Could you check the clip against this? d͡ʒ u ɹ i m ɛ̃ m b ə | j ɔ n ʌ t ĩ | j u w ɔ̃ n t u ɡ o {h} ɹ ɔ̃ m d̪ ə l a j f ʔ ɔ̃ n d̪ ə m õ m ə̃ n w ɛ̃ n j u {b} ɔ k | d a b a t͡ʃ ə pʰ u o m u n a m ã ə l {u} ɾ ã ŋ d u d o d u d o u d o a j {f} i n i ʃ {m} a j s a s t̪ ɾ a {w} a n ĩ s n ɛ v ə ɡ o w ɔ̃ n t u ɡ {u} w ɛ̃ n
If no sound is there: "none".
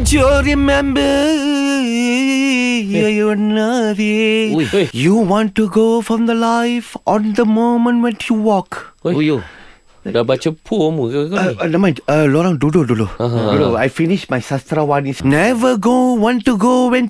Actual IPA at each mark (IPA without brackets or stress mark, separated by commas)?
f, w, ɔ, f, m, w, o